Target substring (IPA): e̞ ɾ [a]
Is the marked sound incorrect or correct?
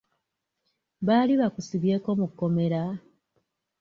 correct